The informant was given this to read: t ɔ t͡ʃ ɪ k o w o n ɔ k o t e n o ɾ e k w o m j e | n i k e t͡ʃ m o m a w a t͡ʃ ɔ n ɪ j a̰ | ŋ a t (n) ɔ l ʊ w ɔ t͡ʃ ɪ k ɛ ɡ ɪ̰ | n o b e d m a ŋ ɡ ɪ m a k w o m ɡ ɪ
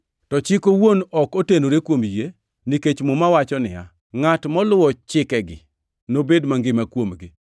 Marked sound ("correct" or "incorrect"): incorrect